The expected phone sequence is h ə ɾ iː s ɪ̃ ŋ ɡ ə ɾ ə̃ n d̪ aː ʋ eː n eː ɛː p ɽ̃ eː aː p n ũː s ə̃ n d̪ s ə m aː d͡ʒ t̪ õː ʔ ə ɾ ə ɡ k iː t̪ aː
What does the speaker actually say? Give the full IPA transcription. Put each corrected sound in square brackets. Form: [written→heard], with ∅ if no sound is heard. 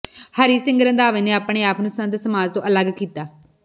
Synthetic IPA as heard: h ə ɾ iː s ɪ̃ ŋ ɡ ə ɾ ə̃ n d̪ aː ʋ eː n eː [ɛː→aː] p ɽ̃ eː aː p n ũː s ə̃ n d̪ s ə m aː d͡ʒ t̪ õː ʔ ə [ɾ→l] ə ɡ k iː t̪ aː